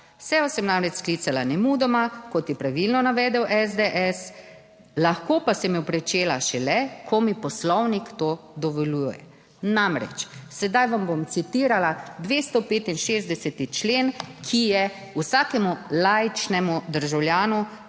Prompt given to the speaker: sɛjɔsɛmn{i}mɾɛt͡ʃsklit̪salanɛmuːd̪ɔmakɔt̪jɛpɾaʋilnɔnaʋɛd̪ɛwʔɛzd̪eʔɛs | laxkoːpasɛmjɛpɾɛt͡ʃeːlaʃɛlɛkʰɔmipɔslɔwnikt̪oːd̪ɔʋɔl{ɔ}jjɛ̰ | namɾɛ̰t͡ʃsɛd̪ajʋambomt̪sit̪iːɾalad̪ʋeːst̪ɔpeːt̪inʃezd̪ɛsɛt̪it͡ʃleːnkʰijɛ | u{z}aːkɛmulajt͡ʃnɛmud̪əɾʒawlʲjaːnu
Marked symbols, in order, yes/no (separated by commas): no, no, no